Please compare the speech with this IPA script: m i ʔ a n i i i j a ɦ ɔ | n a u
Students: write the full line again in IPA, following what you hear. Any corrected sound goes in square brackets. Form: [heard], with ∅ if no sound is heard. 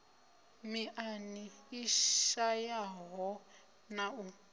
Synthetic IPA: m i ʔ a n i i [a] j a ɦ ɔ | n a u